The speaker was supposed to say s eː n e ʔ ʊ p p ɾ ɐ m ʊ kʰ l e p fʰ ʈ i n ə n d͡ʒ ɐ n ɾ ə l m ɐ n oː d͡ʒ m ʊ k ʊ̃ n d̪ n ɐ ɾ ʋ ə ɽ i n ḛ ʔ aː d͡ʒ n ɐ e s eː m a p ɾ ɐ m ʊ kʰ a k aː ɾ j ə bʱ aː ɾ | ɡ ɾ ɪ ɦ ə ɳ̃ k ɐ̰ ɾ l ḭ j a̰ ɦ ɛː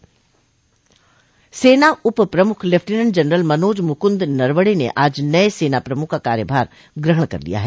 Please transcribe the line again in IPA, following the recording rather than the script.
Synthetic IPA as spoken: s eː n a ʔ ʊ p p ɾ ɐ m ʊ kʰ l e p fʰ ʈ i n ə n d͡ʒ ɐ n ɾ ə l m ɐ n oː d͡ʒ m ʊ k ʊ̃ n d̪ n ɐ ɾ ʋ ə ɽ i n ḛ ʔ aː d͡ʒ n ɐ e s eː n a p ɾ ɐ m ʊ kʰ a k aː ɾ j ə bʱ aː ɾ | ɡ ɾ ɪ ɦ ə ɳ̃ k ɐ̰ ɾ l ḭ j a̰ ɦ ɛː